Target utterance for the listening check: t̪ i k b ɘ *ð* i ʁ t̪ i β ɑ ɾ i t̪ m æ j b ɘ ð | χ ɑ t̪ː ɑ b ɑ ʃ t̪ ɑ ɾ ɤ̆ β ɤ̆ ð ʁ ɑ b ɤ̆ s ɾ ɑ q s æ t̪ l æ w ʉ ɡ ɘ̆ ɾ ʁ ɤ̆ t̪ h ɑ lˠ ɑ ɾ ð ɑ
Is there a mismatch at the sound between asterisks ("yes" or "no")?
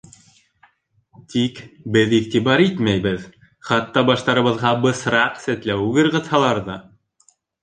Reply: no